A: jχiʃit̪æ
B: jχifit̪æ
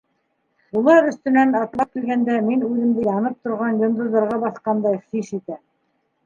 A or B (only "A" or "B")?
A